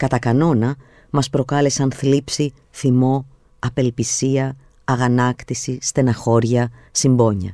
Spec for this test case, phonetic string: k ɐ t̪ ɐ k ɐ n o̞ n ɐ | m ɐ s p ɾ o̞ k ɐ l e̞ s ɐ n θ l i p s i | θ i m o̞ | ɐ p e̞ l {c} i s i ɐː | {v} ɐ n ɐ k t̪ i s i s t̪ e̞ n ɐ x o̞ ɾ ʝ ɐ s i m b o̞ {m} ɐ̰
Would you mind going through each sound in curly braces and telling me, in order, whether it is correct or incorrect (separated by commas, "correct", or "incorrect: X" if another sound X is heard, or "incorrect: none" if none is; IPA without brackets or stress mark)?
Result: incorrect: p, incorrect: ɣ, incorrect: ɲ